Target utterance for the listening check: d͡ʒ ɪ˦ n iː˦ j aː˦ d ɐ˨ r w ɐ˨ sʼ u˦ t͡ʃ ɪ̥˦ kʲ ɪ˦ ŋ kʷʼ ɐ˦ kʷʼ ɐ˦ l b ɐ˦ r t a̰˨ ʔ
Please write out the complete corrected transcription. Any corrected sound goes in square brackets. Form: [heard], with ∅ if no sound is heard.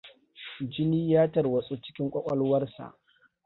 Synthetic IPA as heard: d͡ʒ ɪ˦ n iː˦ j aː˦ [t] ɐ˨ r w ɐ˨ sʼ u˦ t͡ʃ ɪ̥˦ kʲ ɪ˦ ŋ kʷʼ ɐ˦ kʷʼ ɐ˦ l [w] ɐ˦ r [s] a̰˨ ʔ